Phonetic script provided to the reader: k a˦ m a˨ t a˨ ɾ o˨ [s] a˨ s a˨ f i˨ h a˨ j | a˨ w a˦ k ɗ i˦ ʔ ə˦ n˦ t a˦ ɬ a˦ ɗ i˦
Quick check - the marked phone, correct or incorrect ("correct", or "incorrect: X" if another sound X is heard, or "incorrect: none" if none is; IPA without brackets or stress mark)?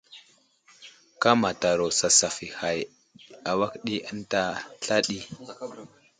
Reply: correct